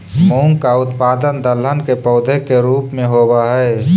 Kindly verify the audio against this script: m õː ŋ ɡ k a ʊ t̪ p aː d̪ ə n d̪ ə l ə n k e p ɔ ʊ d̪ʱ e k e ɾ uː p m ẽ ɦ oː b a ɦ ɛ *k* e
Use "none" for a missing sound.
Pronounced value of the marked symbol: none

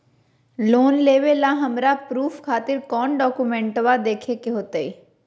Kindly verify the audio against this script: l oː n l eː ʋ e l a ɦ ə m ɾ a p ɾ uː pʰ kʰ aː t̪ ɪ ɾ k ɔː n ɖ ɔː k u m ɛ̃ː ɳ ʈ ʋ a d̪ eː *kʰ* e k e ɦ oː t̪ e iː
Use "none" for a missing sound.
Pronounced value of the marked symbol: kʰ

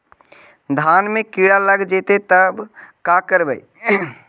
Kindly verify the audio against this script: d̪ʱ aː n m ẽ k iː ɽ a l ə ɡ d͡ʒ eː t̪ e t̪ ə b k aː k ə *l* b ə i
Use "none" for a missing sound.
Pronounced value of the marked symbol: ɾ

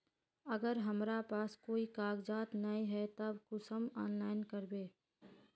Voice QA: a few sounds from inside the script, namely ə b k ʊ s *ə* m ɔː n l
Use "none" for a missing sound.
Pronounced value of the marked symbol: ə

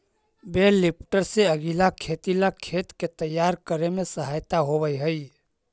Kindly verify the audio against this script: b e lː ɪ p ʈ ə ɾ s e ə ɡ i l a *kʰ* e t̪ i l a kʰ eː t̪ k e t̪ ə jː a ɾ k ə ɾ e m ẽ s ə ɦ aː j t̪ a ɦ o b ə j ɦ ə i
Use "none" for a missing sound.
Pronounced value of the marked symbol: kʰ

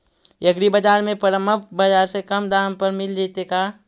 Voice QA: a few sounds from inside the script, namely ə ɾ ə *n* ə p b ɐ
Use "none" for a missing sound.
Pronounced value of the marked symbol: m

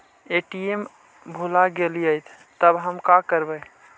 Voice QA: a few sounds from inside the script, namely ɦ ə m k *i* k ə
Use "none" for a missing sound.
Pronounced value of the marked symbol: a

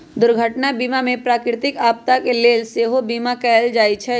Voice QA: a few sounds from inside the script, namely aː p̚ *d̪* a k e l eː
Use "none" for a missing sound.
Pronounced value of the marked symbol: t̪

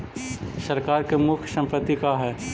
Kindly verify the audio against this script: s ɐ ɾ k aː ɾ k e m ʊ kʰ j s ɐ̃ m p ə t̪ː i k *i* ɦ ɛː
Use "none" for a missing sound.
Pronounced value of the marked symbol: a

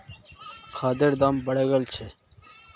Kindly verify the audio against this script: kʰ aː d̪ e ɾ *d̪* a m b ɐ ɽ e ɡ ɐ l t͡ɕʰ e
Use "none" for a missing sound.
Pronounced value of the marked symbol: d̪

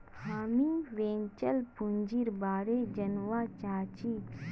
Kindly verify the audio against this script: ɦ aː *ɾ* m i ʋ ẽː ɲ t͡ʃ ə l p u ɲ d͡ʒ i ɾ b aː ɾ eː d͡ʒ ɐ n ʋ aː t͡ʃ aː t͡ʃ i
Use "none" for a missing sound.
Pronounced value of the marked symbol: none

